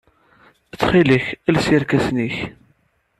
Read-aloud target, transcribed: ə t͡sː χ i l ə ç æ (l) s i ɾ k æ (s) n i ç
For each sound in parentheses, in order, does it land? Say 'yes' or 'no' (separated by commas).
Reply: yes, yes